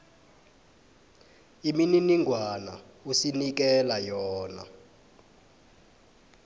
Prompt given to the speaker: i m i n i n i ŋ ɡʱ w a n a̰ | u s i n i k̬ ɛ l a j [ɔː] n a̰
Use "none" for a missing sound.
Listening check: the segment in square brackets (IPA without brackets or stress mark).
ɔː